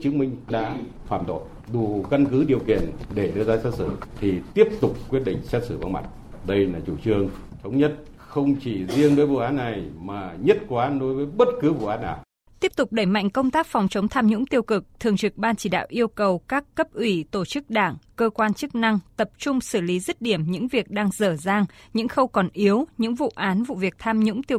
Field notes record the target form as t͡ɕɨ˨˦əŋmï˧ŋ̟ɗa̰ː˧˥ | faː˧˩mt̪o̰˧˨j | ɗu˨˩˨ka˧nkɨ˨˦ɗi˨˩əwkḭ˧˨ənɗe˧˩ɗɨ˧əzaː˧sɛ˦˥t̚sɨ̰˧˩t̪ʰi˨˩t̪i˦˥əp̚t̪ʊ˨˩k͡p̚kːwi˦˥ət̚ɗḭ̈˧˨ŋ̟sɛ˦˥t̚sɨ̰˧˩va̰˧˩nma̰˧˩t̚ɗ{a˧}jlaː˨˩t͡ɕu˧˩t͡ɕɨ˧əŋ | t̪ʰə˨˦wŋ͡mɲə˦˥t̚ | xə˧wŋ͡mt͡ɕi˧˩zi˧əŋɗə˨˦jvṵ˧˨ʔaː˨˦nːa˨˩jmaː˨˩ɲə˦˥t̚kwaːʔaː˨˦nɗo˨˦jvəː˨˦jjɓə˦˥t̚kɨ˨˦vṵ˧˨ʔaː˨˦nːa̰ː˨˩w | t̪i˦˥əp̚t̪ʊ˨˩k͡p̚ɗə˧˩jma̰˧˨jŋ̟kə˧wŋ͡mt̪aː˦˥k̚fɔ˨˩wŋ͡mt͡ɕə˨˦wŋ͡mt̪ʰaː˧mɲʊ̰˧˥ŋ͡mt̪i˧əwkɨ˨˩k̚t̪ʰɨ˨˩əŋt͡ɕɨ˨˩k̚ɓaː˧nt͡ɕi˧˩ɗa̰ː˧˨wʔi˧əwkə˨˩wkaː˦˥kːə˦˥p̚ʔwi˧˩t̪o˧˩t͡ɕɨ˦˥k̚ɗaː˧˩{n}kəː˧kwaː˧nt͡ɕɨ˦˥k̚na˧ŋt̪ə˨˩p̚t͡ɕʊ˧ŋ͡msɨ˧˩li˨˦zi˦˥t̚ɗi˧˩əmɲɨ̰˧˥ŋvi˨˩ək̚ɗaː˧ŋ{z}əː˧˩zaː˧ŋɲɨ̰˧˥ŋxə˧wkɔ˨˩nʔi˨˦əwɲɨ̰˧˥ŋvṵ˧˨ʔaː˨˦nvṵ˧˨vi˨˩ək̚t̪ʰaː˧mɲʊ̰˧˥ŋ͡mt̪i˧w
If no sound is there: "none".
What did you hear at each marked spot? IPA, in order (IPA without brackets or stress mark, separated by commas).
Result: ə˧, ŋ, z